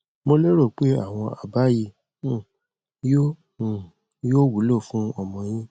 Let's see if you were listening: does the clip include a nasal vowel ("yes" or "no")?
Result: yes